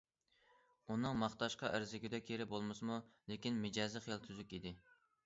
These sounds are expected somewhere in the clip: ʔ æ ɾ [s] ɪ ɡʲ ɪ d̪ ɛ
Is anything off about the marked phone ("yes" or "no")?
yes